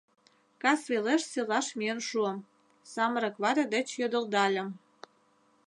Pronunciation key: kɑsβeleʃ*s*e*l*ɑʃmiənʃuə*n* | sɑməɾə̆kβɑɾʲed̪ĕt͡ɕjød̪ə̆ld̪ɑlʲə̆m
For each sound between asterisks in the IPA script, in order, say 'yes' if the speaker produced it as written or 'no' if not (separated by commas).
yes, yes, no